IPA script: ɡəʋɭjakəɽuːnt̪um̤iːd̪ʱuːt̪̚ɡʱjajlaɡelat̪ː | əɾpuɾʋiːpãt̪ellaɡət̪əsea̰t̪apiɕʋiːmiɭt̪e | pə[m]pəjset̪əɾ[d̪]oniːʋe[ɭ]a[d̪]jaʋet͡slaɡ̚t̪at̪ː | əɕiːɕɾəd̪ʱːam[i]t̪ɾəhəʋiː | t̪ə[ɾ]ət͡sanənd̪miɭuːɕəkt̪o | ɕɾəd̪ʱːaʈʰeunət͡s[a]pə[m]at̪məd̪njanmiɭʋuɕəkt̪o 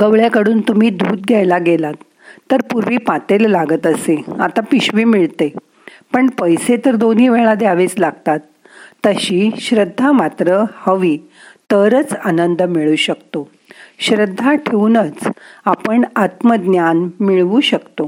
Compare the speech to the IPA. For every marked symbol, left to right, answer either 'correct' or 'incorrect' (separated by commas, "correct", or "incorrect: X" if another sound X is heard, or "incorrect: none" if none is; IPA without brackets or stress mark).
incorrect: ɳ, correct, correct, correct, incorrect: a, correct, correct, incorrect: ɳ